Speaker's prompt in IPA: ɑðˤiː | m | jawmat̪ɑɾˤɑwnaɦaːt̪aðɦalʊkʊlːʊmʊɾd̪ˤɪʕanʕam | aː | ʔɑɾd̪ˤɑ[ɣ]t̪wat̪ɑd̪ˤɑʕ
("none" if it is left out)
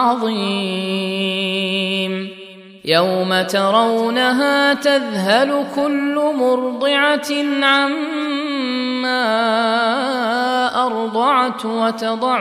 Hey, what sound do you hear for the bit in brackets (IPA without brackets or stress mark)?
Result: ʕ